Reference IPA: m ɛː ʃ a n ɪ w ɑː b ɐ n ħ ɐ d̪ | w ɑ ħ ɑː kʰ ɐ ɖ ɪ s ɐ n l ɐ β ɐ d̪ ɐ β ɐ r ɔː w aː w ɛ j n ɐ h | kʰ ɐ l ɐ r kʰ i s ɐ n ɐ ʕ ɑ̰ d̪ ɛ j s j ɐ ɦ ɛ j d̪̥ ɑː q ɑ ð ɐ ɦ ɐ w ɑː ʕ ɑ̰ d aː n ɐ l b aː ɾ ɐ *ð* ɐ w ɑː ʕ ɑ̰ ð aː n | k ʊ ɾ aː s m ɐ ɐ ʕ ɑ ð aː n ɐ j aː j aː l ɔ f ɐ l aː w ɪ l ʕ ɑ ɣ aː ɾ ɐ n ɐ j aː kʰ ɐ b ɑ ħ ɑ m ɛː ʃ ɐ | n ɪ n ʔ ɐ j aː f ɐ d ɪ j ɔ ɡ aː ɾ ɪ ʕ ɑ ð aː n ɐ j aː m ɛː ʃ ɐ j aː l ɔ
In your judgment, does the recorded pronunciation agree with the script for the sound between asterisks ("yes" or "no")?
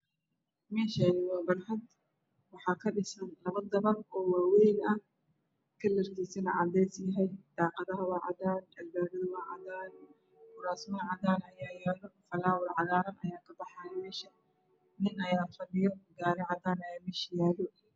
yes